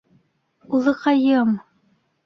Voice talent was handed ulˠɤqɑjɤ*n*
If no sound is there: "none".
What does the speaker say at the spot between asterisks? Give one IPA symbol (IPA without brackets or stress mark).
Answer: m